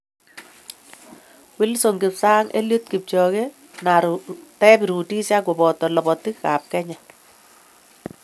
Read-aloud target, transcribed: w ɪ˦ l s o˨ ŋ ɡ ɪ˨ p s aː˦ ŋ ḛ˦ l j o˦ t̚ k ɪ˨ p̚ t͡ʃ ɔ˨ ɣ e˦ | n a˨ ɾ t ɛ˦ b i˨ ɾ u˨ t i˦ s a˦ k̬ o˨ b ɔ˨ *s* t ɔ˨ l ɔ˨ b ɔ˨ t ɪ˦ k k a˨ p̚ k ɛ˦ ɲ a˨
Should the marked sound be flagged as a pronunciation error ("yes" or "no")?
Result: yes